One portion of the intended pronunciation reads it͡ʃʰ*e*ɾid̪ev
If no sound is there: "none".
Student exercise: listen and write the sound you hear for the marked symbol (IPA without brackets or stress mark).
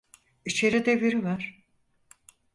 e